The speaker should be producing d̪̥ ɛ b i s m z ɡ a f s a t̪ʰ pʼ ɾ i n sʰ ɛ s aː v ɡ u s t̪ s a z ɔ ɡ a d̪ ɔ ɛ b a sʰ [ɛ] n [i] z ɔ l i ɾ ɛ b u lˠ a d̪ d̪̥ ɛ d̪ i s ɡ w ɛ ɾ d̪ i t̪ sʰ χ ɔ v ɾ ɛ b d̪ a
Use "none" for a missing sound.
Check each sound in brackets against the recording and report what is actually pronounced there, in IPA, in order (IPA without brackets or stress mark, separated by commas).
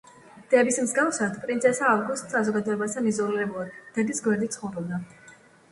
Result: a, i